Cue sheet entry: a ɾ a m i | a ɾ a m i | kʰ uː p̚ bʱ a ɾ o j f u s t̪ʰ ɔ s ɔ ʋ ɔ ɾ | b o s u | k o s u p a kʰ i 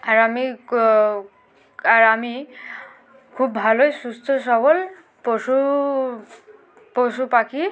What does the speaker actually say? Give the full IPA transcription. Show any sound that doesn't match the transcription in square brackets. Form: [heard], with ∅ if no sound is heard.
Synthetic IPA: a ɾ a m i | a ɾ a m i | kʰ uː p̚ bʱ a [l] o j [s] u s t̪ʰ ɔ s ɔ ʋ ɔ [l] | [p] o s u | [p] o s u p a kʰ i